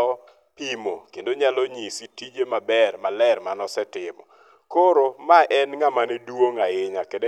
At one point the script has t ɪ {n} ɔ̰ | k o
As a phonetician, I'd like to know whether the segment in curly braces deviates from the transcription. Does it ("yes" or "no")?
yes